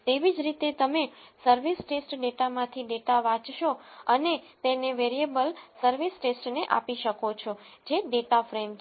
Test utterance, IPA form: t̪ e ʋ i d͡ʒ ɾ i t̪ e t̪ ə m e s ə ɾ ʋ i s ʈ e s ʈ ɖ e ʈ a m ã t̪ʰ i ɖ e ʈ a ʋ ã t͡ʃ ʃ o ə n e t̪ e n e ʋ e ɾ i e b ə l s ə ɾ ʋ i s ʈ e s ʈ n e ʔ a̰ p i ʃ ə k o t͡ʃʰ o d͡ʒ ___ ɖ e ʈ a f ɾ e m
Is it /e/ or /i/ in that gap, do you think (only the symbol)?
e